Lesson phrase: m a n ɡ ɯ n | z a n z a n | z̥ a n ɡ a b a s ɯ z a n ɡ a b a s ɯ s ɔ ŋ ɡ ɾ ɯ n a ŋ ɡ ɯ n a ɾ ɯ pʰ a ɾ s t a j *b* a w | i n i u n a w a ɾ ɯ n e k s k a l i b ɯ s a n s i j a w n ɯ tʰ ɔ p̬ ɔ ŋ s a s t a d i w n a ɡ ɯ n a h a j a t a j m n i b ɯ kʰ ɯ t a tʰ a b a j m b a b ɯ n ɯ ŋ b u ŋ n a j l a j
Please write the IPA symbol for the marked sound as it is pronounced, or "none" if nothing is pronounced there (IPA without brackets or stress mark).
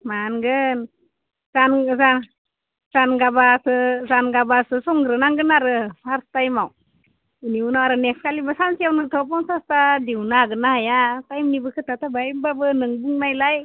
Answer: m